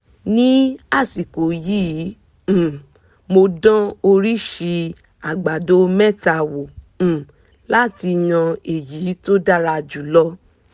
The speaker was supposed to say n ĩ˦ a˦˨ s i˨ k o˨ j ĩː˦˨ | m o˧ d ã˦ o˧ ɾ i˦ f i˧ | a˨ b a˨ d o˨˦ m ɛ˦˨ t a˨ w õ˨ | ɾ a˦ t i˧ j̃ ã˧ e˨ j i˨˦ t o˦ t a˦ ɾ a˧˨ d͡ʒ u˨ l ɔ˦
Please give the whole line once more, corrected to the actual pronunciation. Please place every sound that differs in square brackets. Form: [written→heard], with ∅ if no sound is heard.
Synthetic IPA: n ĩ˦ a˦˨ s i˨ k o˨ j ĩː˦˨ | m o˧ d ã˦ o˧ ɾ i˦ [f→ʃ] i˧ | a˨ [b→ɡ͡b] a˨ d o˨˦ m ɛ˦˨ t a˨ w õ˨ | [ɾ→l] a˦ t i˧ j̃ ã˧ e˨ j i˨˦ t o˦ [t→d] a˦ ɾ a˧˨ d͡ʒ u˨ l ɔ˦